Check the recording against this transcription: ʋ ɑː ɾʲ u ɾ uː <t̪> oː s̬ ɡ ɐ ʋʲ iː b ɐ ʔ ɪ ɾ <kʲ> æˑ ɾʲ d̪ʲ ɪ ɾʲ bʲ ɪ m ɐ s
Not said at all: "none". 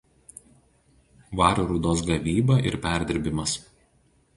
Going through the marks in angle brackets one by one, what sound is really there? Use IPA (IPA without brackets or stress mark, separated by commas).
d̪, pʲ